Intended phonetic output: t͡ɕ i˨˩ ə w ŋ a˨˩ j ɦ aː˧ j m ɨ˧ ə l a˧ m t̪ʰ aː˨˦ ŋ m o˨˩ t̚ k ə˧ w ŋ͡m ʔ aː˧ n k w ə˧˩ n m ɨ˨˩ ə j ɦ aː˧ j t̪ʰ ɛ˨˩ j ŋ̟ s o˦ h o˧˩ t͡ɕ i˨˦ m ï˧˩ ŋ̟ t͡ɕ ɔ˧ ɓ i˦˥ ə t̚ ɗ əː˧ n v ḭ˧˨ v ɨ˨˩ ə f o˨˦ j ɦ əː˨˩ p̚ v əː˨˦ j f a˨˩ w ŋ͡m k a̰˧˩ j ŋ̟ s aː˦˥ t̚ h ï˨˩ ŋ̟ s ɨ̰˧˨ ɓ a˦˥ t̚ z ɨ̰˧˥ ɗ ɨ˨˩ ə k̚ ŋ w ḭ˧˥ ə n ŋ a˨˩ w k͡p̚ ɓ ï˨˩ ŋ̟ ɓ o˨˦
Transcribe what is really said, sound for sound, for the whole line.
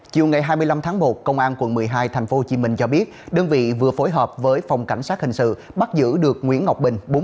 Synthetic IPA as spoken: t͡ɕ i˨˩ ə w ŋ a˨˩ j ɦ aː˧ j m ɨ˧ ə l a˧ m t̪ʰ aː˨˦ ŋ m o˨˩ t̚ k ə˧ w ŋ͡m ʔ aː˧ n k w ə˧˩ n m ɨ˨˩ ə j ɦ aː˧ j t̪ʰ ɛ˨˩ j ŋ̟ f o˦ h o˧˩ t͡ɕ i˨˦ m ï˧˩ ŋ̟ t͡ɕ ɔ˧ ɓ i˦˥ ə t̚ ɗ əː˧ n v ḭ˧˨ v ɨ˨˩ ə f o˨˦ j ɦ əː˨˩ p̚ v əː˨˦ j f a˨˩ w ŋ͡m k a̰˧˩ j ŋ̟ s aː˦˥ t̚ h ï˨˩ ŋ̟ s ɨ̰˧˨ ɓ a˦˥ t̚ z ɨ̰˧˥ ɗ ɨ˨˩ ə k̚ ŋ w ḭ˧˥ ə n ŋ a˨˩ w k͡p̚ ɓ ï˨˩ ŋ̟ ɓ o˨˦